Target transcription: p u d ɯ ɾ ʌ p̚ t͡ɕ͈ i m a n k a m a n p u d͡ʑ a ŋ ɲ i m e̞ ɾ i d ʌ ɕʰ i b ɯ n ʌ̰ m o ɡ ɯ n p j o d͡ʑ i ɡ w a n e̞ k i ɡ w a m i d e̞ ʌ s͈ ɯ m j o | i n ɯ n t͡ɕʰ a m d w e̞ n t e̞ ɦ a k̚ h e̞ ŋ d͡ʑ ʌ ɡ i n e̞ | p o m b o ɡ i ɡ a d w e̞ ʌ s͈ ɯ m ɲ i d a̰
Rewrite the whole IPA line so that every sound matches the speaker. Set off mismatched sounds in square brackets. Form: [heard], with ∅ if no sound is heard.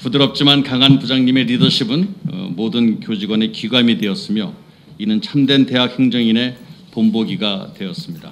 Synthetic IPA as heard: p u d ɯ ɾ ʌ p̚ t͡ɕ͈ i m a n k a [ŋ] a n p u d͡ʑ a ŋ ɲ i m e̞ ɾ i d ʌ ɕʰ i b ɯ n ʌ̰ m o [d] ɯ n [k] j o d͡ʑ i ɡ w a n e̞ k i ɡ w a m i d e̞ ʌ s͈ ɯ m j o | i n ɯ n t͡ɕʰ a m d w e̞ n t e̞ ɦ a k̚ h e̞ ŋ d͡ʑ ʌ [ŋ] i n e̞ | p o m b o ɡ i ɡ a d w e̞ ʌ s͈ ɯ m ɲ i d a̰